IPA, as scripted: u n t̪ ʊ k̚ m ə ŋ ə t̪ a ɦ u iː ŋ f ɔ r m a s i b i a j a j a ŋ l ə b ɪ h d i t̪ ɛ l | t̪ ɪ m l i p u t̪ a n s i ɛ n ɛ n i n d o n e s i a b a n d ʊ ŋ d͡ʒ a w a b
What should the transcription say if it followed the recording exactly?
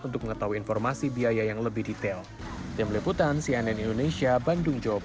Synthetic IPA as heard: u n t̪ ʊ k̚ m ə ŋ ə t̪ a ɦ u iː n f ɔ r m a s i b i a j a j a ŋ l ə b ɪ h d i t̪ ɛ l | t̪ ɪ m l i p u t̪ a n s i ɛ n ɛ n i n d o n e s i a b a n d ʊ ŋ d͡ʒ a w a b